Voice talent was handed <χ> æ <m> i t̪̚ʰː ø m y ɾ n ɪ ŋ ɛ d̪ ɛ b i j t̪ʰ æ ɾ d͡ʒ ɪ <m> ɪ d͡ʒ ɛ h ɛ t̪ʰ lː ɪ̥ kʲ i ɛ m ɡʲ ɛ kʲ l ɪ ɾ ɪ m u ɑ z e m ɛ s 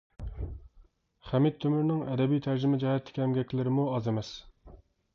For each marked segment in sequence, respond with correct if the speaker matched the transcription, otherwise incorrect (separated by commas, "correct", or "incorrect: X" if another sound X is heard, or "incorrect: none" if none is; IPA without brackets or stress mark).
correct, correct, correct